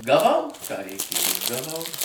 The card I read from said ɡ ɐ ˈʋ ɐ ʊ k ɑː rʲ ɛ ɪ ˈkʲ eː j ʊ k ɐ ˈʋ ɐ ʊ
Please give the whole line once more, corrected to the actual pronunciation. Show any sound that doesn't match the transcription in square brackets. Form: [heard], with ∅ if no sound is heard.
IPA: ɡ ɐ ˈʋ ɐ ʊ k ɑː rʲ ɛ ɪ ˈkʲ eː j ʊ [ɡ] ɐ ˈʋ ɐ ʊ